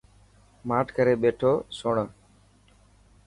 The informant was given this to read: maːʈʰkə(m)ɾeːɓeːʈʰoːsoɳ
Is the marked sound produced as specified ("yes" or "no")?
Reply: no